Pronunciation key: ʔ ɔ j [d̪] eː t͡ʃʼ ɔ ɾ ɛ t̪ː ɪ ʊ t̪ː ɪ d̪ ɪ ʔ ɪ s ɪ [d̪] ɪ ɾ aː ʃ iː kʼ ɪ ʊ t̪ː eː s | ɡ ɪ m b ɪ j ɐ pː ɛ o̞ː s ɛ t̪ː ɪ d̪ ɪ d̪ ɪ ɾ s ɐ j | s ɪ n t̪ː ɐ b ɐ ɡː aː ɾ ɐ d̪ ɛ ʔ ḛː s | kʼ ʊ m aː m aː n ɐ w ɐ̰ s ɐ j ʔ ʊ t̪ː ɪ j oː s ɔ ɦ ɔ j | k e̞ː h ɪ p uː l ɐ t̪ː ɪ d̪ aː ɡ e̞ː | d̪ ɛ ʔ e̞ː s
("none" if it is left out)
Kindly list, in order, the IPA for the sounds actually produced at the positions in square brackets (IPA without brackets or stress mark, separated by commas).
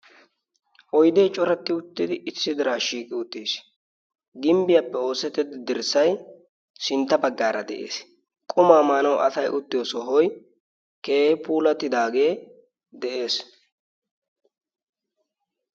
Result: d̪, d̪